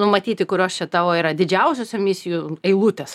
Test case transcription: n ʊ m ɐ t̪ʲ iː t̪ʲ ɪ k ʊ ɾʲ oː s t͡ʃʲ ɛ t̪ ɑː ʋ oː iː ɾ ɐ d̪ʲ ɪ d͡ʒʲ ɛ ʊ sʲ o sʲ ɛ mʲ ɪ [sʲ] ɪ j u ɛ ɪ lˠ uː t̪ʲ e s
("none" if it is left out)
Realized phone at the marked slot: sʲ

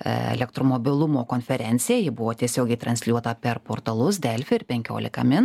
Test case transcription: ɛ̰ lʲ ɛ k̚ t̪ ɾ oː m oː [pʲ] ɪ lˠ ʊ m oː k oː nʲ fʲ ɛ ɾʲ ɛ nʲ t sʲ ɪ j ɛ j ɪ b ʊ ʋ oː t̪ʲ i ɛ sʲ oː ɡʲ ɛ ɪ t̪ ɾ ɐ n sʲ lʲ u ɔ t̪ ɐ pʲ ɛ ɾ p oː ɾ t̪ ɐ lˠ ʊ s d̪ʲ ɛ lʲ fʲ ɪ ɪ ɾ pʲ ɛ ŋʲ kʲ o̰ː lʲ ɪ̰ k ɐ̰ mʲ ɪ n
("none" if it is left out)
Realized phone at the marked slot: bʲ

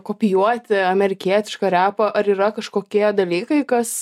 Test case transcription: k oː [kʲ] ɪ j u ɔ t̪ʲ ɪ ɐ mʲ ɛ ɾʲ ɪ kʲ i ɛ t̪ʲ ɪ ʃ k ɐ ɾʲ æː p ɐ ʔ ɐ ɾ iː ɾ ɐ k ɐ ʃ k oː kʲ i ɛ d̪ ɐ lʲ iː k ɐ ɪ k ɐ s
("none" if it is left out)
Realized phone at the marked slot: pʲ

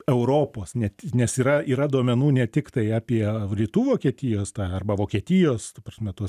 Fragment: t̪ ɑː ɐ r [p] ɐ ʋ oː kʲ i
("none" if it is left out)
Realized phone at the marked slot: b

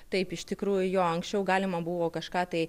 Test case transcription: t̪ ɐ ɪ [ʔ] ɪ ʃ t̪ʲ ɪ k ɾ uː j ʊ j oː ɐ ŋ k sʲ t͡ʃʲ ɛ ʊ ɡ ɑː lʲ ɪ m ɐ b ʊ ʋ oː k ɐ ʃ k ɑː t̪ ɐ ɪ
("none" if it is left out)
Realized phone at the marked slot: p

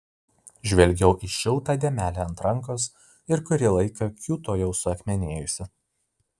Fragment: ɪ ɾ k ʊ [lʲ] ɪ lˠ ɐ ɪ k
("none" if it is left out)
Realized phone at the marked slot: ɾʲ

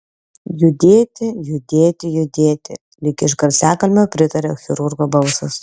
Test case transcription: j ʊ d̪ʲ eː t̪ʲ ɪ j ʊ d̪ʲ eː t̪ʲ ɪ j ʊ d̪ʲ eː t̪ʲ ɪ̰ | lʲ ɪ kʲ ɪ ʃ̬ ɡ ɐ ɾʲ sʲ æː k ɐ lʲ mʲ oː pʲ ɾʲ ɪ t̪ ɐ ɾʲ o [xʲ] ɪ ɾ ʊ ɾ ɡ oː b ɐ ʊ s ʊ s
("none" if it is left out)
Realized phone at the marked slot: xʲ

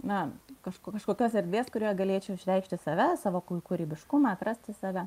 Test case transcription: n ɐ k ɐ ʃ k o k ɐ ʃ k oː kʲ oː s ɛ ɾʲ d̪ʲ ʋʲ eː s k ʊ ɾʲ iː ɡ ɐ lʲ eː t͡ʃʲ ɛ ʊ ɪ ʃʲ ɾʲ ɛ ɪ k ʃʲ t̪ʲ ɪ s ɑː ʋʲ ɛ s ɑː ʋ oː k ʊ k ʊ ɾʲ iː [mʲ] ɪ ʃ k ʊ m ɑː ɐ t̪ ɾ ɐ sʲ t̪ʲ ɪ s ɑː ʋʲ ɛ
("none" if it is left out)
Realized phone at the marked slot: bʲ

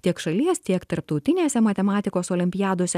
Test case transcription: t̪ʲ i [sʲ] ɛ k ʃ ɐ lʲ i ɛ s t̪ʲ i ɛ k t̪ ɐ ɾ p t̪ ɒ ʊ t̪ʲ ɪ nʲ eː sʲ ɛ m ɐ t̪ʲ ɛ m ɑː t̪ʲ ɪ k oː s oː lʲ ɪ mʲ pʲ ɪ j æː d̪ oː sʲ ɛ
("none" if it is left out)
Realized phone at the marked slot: none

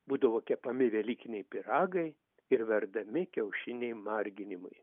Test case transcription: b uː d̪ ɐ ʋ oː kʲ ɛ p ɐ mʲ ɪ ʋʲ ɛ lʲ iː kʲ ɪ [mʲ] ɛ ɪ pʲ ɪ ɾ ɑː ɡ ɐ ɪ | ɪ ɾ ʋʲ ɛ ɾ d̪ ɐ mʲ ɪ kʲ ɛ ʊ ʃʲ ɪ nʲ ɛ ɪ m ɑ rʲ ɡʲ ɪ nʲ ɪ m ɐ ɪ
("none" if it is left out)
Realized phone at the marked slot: nʲ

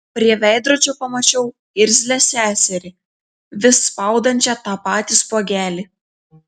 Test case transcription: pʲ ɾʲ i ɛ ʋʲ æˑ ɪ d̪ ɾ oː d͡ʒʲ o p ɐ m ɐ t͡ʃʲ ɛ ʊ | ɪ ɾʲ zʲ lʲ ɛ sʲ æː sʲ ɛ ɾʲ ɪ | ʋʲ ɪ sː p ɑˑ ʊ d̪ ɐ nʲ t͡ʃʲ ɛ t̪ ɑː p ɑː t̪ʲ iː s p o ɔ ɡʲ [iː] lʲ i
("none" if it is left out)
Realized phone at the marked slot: æː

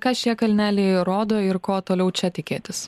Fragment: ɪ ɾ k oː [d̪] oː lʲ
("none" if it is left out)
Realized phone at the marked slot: t̪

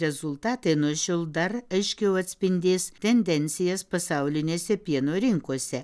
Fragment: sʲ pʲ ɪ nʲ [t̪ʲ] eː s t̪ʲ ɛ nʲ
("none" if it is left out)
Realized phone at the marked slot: d̪ʲ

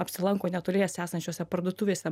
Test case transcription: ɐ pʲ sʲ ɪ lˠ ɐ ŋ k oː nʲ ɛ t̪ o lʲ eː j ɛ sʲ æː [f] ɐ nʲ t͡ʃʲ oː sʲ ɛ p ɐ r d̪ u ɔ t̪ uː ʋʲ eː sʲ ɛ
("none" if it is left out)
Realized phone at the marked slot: s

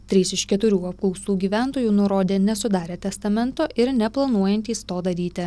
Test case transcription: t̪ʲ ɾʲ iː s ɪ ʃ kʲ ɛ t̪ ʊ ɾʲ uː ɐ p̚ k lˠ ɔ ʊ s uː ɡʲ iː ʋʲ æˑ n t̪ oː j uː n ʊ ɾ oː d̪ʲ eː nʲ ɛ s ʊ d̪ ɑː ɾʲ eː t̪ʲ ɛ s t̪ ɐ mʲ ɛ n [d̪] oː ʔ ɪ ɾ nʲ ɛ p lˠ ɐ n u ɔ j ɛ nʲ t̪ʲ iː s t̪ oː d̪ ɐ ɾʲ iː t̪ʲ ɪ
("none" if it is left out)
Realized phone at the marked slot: t̪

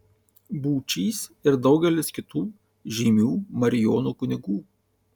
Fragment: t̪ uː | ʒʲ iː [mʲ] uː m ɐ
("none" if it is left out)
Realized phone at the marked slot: mʲ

